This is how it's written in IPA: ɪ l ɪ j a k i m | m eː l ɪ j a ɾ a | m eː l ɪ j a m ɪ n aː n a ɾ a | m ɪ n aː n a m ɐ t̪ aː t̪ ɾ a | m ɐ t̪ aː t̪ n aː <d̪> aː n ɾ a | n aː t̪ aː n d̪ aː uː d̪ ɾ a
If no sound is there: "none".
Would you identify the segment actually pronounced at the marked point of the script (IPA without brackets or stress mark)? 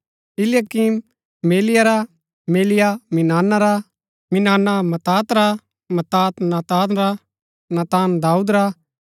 t̪